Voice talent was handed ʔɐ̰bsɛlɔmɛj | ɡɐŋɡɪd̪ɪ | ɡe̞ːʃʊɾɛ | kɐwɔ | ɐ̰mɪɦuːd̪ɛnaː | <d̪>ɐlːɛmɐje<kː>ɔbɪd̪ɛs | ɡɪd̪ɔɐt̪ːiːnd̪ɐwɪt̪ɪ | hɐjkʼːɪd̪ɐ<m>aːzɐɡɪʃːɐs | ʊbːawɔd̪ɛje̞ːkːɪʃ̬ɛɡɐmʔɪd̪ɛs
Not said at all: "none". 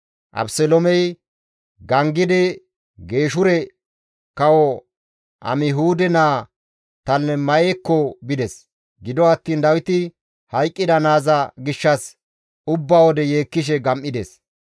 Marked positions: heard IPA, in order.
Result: t̪, kː, n

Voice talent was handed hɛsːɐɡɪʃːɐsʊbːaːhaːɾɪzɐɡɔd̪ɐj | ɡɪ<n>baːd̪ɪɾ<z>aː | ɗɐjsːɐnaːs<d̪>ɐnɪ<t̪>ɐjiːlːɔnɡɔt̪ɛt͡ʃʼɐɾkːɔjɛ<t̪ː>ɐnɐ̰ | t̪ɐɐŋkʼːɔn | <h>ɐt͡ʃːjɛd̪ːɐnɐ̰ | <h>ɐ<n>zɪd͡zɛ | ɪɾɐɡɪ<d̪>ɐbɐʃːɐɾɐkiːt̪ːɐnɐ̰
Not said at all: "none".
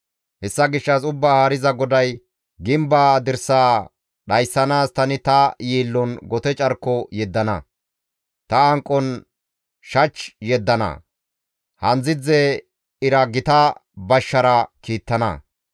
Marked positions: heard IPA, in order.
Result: m, s, t̪, t̪, d̪ː, ʃ, h, n, t̪

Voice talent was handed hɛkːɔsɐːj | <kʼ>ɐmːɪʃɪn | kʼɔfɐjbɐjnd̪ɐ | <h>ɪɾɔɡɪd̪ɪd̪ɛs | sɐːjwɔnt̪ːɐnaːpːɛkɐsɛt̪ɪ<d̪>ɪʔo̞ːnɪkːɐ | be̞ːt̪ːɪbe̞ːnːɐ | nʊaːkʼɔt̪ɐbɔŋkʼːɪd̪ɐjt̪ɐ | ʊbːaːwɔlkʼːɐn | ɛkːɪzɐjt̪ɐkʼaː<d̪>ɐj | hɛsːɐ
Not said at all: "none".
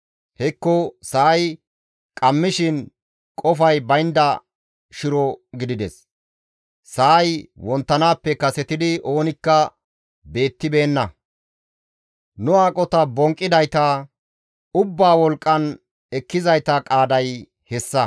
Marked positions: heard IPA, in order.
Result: kʼ, ʃ, d̪, d̪

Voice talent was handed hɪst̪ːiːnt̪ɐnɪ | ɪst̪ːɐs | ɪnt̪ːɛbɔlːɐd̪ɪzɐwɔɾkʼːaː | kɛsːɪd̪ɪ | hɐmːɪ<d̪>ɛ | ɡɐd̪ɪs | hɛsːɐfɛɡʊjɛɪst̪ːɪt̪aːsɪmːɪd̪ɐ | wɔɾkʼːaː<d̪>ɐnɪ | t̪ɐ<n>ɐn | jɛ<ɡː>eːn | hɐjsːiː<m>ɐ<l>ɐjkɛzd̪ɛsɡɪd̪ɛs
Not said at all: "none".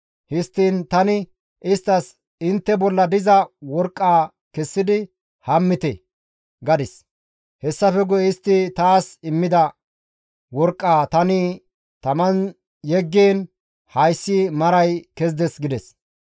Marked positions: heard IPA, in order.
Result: t̪, t̪, m, ɡː, m, ɾ

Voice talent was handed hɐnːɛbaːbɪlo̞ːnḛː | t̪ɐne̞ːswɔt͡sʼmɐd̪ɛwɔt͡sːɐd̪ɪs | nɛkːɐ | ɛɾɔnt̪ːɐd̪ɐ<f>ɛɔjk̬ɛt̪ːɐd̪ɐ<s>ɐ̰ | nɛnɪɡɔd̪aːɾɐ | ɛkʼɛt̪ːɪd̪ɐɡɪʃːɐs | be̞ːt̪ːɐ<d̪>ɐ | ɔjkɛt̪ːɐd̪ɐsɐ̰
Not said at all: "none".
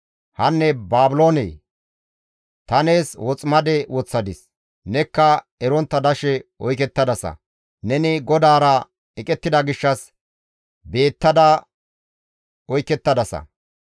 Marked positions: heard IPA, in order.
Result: ʃ, s, d̪

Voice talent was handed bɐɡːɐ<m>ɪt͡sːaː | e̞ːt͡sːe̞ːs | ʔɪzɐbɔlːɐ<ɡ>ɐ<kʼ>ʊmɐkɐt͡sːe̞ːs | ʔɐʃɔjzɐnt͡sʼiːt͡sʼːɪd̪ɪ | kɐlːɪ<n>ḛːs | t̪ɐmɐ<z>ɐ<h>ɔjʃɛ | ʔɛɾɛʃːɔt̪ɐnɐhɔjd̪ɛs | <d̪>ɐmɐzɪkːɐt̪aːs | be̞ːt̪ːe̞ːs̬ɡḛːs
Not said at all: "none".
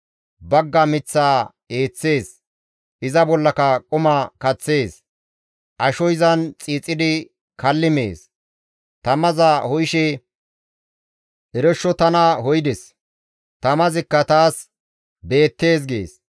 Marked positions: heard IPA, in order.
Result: m, k, kʼ, m, z, h, t̪

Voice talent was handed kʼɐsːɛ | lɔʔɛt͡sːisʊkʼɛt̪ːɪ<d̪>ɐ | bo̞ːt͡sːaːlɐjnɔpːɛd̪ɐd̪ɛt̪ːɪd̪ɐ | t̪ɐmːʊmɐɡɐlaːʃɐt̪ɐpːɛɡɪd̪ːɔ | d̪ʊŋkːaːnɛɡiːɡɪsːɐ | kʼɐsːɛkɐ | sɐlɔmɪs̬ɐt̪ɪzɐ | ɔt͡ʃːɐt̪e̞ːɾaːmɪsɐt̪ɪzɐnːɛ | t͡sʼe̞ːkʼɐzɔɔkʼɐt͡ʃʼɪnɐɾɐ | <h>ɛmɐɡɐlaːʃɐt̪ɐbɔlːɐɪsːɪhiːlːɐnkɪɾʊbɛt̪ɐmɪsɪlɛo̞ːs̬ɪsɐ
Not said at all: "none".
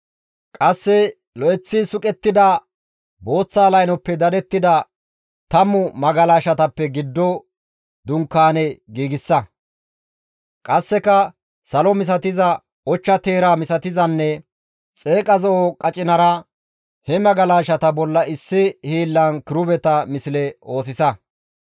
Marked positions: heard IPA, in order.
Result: d̪, h

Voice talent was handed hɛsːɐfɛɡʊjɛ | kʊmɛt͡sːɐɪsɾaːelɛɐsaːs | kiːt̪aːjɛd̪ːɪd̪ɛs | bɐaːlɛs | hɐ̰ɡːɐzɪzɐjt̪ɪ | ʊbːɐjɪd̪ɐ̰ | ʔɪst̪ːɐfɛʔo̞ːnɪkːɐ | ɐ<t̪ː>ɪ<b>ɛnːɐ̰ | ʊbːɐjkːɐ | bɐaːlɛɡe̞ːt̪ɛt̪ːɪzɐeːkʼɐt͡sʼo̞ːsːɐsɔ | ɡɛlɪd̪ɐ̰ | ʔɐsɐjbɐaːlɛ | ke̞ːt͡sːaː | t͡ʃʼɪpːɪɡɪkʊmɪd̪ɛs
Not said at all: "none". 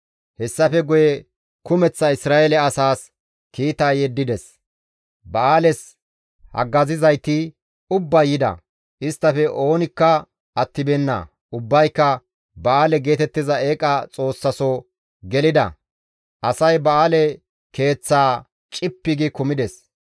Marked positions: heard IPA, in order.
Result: t̪ː, b

